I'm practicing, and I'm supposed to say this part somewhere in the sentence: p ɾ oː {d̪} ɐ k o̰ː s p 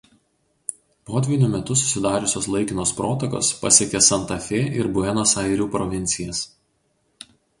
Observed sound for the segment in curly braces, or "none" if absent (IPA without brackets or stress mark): t̪